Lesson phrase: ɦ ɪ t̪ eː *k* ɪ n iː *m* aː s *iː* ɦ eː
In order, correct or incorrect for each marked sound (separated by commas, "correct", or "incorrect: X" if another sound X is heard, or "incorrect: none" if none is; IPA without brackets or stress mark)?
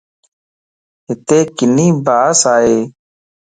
correct, incorrect: b, incorrect: aː